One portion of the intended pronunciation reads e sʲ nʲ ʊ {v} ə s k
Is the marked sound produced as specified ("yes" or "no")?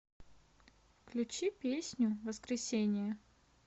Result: yes